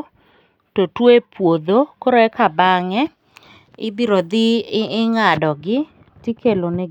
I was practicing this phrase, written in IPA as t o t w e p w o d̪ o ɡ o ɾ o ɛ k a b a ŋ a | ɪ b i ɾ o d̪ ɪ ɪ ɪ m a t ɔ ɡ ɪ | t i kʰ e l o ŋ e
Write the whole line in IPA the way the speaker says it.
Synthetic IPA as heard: t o t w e p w o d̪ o k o ɾ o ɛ k a b a ŋ ɛ | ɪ b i ɾ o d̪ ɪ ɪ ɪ ŋ a d ɔ ɡ ɪ | t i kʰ e l o n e